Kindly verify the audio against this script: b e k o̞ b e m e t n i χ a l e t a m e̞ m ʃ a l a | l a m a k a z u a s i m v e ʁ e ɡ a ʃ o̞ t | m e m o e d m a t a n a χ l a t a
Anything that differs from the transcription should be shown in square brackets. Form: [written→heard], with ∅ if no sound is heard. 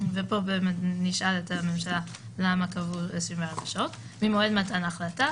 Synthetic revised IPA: [b→v] e [k→p] o̞ b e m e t n i [χ→ʃ] a l e t a m e̞ m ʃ a l a | l a m a k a [z→v] u [a→e] s i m v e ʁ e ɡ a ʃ o̞ t | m [e→i] m o e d m a t a n a χ l a t a